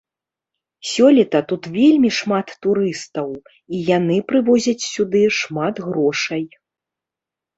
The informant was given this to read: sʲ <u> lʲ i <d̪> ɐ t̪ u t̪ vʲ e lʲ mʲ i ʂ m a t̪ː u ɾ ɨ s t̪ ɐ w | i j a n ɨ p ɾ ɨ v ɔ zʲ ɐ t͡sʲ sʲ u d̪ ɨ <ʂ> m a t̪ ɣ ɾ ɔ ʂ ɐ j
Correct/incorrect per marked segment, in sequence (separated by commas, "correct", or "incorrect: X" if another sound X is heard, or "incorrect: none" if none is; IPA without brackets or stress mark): incorrect: ɔ, incorrect: t̪, correct